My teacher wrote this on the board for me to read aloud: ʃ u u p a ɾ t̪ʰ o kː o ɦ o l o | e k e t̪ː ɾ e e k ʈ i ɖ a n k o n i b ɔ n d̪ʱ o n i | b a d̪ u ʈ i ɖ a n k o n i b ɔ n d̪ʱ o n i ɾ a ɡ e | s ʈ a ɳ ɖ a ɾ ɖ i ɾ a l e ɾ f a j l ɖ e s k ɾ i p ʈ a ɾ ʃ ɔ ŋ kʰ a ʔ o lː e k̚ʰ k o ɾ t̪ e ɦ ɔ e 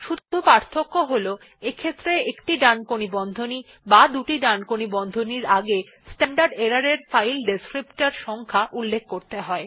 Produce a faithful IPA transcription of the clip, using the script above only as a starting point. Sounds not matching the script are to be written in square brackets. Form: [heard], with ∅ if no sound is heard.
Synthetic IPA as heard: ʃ u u p a ɾ t̪ʰ o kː o ɦ o l o | e [kʰ] e t̪ː ɾ e e k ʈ i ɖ a n k o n i b ɔ n d̪ʱ o n i | b a d̪ u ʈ i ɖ a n k o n i b ɔ n d̪ʱ o n i ɾ a ɡ e | s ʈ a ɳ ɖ a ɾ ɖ [e] ɾ a [ɾ] e ɾ f a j l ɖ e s k ɾ i p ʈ a ɾ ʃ ɔ ŋ kʰ a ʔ [u] lː e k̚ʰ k o ɾ t̪ e ɦ ɔ e